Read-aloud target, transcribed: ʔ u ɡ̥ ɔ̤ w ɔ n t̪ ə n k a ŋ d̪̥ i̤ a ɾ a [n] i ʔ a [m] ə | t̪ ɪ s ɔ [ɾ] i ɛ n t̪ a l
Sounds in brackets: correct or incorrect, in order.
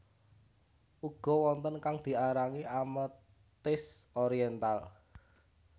incorrect, correct, correct

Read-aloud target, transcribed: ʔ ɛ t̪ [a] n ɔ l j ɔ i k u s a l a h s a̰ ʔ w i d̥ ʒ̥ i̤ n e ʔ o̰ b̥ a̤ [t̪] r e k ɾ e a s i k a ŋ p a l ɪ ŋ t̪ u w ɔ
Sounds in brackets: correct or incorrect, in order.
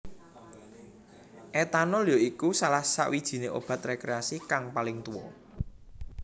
correct, correct

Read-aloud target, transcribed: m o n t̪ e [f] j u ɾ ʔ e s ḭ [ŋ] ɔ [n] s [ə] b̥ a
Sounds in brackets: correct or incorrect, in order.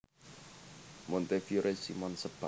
correct, incorrect, correct, correct

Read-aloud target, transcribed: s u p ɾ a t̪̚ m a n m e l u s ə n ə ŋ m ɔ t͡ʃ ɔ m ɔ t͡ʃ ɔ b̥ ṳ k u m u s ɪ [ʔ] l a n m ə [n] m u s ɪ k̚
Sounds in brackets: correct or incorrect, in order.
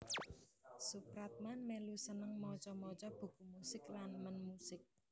incorrect, correct

